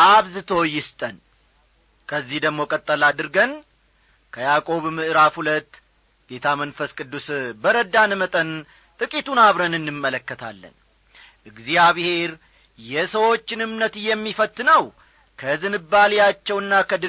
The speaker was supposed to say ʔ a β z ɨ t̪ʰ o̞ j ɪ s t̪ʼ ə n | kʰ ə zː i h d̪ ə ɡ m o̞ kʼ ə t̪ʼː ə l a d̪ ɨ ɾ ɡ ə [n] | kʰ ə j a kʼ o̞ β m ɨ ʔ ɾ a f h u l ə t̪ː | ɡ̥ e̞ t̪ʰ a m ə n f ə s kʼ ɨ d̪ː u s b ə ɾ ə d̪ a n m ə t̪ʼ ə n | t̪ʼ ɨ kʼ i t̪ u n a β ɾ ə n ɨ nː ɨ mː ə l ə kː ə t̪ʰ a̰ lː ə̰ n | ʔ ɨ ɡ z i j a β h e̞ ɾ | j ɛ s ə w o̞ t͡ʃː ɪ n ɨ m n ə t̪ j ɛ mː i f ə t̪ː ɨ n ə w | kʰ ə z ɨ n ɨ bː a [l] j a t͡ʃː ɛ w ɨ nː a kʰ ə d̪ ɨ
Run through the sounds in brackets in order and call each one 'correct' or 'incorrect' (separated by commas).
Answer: correct, correct